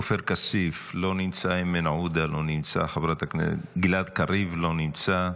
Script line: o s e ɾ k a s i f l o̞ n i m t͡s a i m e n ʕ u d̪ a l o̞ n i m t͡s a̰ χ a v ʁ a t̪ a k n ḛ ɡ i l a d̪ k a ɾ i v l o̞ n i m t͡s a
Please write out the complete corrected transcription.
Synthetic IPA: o f e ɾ k a s i f l o̞ n i m t͡s a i m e n ʕ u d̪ a l o̞ n i m t͡s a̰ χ a v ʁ a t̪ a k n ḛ ɡ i l a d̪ k a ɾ i v l o̞ n i m t͡s a